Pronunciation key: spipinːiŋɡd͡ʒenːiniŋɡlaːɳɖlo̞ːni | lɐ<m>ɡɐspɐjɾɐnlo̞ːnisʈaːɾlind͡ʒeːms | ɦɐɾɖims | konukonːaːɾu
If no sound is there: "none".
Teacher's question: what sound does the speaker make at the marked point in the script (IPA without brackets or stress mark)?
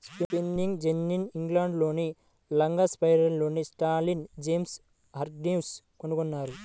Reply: ŋ